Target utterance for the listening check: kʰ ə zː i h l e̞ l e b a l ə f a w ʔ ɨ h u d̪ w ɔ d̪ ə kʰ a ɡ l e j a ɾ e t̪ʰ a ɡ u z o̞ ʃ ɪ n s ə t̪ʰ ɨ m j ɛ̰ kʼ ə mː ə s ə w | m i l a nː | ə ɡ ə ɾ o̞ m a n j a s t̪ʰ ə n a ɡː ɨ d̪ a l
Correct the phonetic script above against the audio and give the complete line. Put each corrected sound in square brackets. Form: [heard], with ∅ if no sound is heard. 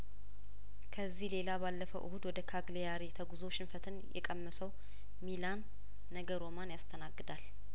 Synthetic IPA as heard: kʰ ə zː i h l e̞ l [a] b a [lː] ə f [ə] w ʔ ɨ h u d̪ w ɔ d̪ ə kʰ a ɡ l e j a ɾ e t̪ʰ [ə] ɡ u z o̞ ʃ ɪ n [f] ə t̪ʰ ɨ [n] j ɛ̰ kʼ ə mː ə s ə w | m i l a nː | ə ɡ ə ɾ o̞ m a n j a s t̪ʰ ə n a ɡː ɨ d̪ a l

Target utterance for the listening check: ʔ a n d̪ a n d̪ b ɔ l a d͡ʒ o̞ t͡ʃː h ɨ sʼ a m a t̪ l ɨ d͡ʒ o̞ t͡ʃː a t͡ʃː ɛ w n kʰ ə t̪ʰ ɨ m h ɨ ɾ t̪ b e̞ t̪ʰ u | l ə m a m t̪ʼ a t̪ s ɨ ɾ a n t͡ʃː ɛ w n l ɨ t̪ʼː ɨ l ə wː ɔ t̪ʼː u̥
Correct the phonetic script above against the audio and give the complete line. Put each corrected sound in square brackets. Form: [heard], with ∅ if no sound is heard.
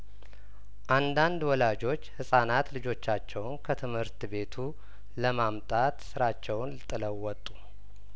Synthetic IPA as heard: ʔ a n d̪ a n d̪ [w] ɔ l a d͡ʒ o̞ t͡ʃː h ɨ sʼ a [n] a t̪ l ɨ d͡ʒ o̞ t͡ʃː a t͡ʃː ɛ w n kʰ ə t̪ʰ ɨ m h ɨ ɾ t̪ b e̞ t̪ʰ u | l ə m a m t̪ʼ a t̪ s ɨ ɾ a [∅] t͡ʃː ɛ w n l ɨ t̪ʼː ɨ l ə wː ɔ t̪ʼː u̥

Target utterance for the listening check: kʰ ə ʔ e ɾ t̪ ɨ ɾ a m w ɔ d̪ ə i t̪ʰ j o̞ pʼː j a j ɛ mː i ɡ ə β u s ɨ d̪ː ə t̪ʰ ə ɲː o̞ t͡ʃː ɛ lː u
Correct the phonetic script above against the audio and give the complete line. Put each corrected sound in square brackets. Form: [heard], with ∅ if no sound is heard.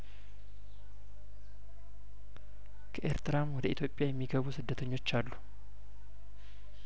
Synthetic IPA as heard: kʰ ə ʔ e ɾ t̪ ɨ ɾ a m w ɔ d̪ ə i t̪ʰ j o̞ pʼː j a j ɛ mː i ɡ ə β u s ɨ d̪ː ə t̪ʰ ə ɲː o̞ t͡ʃː [a] lː u

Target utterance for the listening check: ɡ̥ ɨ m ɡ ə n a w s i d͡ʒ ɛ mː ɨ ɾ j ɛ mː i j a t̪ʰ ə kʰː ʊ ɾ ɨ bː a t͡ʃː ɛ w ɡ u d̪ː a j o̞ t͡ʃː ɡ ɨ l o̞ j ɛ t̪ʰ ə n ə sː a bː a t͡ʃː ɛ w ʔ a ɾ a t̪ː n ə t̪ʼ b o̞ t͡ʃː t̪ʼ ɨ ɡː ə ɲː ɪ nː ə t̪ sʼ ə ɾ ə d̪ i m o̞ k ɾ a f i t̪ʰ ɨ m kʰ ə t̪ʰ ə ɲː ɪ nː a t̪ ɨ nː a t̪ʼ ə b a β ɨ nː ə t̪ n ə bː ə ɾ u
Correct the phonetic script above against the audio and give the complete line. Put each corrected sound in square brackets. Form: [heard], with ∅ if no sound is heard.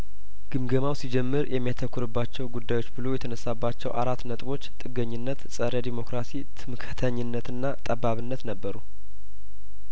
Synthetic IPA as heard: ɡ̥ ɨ m ɡ ə [m] a w s i d͡ʒ ɛ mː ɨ ɾ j ɛ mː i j a t̪ʰ ə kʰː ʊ ɾ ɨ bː a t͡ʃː ɛ w ɡ u d̪ː a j o̞ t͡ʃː [b] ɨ l o̞ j ɛ t̪ʰ ə n ə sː a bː a t͡ʃː ɛ w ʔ a ɾ a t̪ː n ə t̪ʼ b o̞ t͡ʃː t̪ʼ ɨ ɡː ə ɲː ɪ nː ə t̪ sʼ ə ɾ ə d̪ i m o̞ k ɾ a [s] i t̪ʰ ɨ m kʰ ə t̪ʰ ə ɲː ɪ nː [ə] t̪ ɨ nː a t̪ʼ ə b a β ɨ nː ə t̪ n ə bː ə ɾ u

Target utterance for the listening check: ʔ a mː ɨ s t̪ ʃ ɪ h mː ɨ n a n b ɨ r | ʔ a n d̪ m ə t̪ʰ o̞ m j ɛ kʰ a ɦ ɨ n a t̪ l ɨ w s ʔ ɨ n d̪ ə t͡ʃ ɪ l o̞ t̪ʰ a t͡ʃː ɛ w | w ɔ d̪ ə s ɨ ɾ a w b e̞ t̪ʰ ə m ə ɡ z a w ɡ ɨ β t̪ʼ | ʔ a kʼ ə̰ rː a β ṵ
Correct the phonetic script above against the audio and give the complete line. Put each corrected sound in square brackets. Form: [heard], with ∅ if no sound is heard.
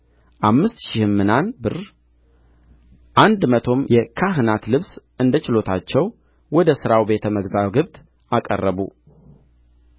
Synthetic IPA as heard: ʔ a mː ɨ s t̪ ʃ ɪ h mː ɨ n a n b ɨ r | ʔ a n d̪ m ə t̪ʰ o̞ m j ɛ kʰ a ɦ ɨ n a t̪ l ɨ [β] s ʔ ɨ n d̪ ə t͡ʃ ɪ l o̞ t̪ʰ a t͡ʃː ɛ w | w ɔ d̪ ə s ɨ ɾ a w b e̞ t̪ʰ ə m ə ɡ z a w ɡ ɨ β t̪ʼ | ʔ a kʼ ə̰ rː [ə] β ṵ

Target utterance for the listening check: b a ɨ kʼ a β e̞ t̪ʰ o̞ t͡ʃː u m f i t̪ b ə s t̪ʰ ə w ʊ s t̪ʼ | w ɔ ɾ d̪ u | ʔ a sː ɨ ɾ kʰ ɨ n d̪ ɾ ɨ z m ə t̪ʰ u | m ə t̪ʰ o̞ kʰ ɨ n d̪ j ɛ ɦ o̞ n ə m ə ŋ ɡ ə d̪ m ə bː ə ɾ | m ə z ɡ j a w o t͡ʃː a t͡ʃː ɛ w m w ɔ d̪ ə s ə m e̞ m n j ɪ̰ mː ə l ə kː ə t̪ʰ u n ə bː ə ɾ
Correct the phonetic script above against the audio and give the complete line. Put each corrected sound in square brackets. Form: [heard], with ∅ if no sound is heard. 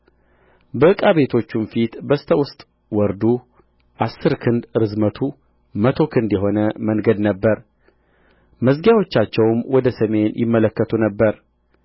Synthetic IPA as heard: b [ə] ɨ kʼ a β e̞ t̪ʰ o̞ t͡ʃː u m f i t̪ b ə s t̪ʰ ə w ʊ s t̪ʼ | w ɔ ɾ d̪ u | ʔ a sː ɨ ɾ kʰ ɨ n d̪ ɾ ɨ z m ə t̪ʰ u | m ə t̪ʰ o̞ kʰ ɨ n d̪ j ɛ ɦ o̞ n ə m ə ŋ ɡ ə d̪ [n] ə bː ə ɾ | m ə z ɡ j a w o t͡ʃː a t͡ʃː ɛ w m w ɔ d̪ ə s ə m e̞ [∅] n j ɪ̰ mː ə l ə kː ə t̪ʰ u n ə bː ə ɾ

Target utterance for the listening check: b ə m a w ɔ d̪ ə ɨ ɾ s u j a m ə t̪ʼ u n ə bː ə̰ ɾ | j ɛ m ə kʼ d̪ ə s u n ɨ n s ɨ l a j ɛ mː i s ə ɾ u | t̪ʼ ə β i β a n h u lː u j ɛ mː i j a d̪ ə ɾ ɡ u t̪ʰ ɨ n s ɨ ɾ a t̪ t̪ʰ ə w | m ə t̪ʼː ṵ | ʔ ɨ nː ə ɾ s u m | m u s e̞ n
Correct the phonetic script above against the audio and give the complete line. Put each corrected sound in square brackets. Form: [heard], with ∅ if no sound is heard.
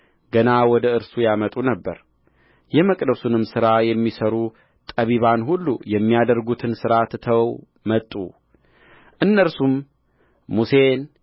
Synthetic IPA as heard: [ɡ] ə [n] a w ɔ d̪ ə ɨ ɾ s u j a m ə t̪ʼ u n ə bː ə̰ ɾ | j ɛ m ə kʼ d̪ ə s u n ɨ [m] s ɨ [ɾ] a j ɛ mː i s ə ɾ u | t̪ʼ ə β i β a n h u lː u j ɛ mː i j a d̪ ə ɾ ɡ u t̪ʰ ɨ n s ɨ ɾ a t̪ t̪ʰ ə w | m ə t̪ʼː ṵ | ʔ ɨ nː ə ɾ s u m | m u s e̞ n

